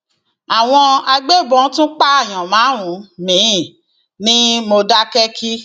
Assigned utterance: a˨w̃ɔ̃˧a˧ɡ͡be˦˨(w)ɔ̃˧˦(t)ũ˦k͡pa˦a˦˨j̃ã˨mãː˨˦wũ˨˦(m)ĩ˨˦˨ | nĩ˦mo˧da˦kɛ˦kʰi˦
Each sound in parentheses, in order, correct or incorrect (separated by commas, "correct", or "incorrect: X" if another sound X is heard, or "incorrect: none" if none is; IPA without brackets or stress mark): incorrect: b, correct, correct